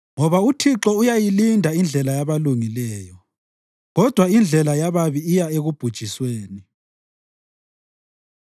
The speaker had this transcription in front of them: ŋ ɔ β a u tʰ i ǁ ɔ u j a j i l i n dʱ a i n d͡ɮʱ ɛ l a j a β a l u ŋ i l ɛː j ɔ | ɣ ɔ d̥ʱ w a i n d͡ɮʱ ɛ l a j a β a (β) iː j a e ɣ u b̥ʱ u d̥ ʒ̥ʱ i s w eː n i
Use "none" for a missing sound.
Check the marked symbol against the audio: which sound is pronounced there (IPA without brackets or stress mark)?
β